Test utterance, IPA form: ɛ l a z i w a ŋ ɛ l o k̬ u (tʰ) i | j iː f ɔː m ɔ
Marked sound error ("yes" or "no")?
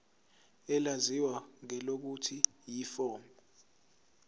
no